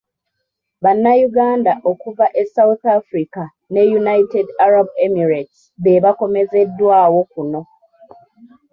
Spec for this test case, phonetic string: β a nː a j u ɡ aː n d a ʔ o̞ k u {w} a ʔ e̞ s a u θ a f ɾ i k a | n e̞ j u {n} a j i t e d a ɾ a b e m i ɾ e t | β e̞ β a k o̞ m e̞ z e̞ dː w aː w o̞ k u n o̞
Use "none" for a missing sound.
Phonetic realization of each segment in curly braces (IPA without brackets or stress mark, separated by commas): v, n